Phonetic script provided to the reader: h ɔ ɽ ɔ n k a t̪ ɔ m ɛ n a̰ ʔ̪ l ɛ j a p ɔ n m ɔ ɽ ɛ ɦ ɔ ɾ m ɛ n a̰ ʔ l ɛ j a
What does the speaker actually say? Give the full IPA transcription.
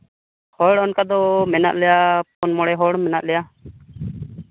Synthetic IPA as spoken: h ɔ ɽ ɔ n k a d̪ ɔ m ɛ n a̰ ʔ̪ l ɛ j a p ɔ n m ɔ ɽ ɛ ɦ ɔ ɽ m ɛ n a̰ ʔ l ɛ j a